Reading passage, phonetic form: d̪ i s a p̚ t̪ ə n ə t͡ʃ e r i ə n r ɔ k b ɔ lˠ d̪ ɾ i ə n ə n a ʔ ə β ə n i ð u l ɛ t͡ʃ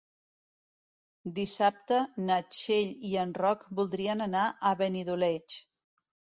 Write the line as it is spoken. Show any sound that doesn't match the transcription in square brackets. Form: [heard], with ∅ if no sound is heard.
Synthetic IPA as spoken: d̪ i s a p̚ t̪ ə n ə t͡ʃ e [ʎ] i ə n r ɔ k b [u] lˠ d̪ ɾ i ə n ə n a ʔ ə β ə n i ð u l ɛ t͡ʃ